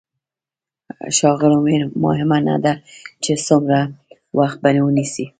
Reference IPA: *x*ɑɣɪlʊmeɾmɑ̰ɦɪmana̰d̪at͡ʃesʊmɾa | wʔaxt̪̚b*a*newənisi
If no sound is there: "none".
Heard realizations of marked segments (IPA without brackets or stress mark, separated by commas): ʃ, a